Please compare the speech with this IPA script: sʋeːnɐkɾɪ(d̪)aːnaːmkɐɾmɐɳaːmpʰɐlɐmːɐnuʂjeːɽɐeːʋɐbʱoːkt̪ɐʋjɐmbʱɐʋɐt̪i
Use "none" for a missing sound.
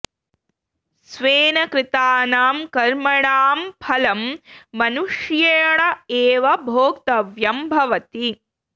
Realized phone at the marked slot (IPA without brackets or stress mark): t̪